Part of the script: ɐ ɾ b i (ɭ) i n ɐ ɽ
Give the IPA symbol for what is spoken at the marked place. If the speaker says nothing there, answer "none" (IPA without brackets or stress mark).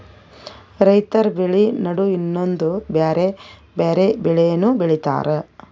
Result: ɭ